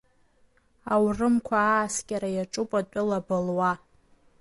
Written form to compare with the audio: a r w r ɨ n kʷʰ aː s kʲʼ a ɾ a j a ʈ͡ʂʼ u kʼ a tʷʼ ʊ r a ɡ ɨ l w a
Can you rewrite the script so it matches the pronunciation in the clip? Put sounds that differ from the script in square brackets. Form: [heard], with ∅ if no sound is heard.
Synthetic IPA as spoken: a [∅] w r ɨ [m] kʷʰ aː s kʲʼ a ɾ a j a ʈ͡ʂʼ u [pʼ] a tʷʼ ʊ [l] a [b] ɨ l w a